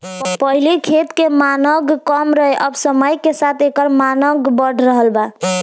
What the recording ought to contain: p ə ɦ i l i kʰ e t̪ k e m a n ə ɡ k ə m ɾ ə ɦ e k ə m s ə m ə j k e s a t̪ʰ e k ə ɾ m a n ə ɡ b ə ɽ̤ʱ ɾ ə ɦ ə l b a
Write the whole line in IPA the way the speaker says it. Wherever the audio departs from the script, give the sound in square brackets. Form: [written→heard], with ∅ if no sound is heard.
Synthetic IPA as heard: p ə ɦ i l i kʰ e t̪ k e m a n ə ɡ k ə m ɾ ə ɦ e [k→ʔ] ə [m→b] s ə m ə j k e s a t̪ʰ e k ə ɾ m a n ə ɡ b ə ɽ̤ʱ ɾ ə ɦ ə l b a